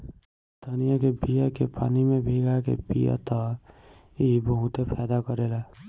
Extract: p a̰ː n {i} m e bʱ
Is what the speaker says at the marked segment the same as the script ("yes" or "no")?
yes